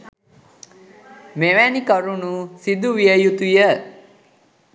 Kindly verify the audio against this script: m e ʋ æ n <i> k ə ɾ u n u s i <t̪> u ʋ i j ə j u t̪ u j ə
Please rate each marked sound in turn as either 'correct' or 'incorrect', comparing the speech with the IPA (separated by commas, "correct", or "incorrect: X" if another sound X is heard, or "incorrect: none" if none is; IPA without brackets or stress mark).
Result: correct, incorrect: d̪